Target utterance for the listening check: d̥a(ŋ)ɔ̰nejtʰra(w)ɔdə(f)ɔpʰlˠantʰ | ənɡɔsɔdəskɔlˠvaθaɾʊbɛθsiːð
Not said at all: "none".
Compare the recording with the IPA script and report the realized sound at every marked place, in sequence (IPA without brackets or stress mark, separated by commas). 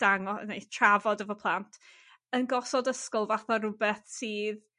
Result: ŋ, v, v